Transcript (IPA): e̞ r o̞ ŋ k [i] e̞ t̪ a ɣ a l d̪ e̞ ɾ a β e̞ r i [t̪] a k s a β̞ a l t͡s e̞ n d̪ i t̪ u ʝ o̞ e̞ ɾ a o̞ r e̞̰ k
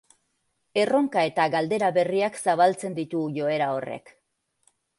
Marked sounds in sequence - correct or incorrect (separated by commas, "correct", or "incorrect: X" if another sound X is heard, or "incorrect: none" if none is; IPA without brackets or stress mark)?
incorrect: a, incorrect: none